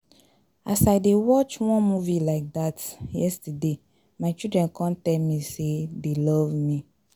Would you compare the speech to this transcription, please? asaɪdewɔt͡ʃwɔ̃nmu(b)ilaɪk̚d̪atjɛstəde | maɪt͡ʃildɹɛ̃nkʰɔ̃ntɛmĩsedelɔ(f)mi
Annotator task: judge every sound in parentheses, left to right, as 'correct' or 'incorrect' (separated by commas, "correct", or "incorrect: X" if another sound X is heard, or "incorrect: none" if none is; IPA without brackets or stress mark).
incorrect: v, incorrect: v